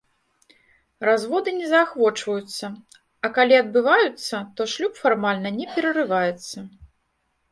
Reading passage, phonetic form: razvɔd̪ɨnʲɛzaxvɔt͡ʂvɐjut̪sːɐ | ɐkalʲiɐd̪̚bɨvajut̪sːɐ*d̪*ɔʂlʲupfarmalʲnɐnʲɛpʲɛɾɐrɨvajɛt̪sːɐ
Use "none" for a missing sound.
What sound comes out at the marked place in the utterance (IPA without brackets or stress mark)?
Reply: t̪